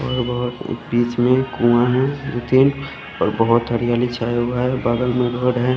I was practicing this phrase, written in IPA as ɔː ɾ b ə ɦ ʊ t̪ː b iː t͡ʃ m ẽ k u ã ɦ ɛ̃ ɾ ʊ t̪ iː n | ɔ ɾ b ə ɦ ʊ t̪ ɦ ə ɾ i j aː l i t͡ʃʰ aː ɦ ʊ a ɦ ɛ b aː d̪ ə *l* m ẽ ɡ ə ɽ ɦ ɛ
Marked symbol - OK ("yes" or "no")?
yes